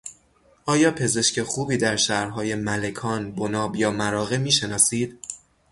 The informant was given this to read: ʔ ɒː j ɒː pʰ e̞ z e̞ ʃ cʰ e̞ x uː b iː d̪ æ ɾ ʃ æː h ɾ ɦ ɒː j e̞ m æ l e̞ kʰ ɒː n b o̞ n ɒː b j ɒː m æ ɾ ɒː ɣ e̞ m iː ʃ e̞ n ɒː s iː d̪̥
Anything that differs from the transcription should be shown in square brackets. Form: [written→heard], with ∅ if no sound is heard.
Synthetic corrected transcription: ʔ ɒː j ɒː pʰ e̞ z e̞ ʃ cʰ e̞ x uː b iː d̪ æ ɾ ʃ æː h ɾ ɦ ɒː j e̞ m æ l e̞ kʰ ɒː n b o̞ n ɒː b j ɒː m æ ɾ ɒː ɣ e̞ m iː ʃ e̞ n ɒː s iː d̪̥